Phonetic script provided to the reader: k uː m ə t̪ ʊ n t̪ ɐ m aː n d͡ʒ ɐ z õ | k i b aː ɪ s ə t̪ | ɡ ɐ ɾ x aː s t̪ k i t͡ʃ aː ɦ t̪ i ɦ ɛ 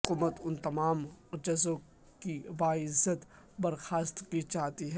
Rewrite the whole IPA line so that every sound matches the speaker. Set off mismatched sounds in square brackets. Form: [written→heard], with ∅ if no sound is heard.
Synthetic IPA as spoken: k uː m ə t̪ ʊ n t̪ ɐ m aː [n→m] d͡ʒ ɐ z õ | k i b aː ɪ [s→z] ə t̪ | [ɡ→b] ɐ ɾ x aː s t̪ k i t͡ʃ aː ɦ t̪ i ɦ ɛ